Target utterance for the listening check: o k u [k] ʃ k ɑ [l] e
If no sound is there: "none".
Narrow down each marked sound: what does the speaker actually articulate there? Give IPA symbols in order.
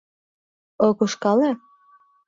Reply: none, l

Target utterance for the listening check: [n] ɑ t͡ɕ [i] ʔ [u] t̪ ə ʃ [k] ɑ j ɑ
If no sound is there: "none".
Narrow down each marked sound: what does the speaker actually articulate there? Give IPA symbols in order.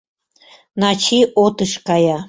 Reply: n, i, o, k

